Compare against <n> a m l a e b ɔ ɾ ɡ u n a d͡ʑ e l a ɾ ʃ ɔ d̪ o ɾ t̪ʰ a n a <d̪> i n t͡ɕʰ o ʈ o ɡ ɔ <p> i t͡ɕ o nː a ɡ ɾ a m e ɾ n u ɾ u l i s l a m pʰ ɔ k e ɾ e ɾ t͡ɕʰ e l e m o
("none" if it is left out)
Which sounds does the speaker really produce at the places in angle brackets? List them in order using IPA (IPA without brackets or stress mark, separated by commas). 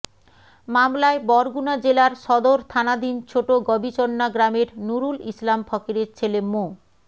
m, d̪, b